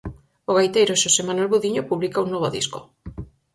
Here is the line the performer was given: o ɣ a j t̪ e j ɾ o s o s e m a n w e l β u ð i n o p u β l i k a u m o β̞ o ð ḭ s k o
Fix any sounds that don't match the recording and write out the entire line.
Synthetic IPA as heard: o ɣ a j t̪ e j ɾ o ʃ o s e m a n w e l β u ð i ɲ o p u β l i k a u n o β̞ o ð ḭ s k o